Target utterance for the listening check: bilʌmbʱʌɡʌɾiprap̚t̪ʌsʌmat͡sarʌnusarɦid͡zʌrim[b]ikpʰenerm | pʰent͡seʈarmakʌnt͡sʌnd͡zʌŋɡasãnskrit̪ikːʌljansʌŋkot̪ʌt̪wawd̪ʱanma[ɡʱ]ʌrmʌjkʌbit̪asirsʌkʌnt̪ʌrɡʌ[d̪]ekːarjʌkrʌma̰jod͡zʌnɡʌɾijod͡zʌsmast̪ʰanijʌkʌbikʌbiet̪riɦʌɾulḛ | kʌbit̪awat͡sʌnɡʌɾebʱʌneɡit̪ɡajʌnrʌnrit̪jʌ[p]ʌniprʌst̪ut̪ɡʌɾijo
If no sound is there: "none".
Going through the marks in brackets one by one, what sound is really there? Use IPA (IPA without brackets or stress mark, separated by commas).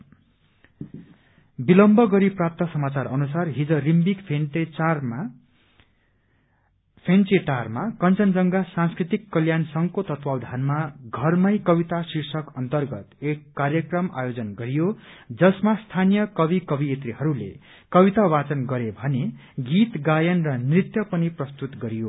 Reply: b, ɡʱ, t̪, p